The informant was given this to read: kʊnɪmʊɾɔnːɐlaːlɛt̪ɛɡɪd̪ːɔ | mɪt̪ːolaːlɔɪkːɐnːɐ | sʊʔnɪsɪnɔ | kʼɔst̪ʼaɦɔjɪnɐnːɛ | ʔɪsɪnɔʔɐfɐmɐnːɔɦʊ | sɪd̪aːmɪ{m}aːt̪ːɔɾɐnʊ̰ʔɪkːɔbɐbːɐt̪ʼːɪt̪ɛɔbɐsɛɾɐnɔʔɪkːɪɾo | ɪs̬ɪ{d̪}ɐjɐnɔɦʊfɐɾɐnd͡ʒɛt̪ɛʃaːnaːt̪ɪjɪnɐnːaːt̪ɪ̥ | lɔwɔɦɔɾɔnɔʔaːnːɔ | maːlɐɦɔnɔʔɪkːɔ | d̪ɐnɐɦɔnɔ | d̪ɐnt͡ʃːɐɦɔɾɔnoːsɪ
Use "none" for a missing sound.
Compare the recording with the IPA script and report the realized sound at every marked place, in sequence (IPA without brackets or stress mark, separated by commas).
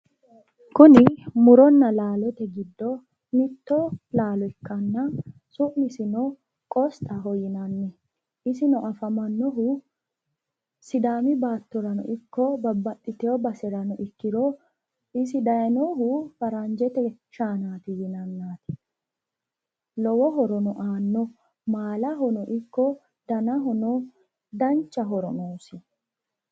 b, d̪